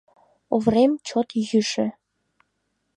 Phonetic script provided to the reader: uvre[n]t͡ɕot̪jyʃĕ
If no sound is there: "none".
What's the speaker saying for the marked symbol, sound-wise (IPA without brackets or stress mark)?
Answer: m